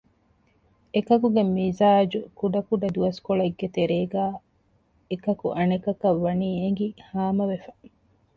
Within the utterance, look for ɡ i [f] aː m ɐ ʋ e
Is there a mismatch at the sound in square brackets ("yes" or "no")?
yes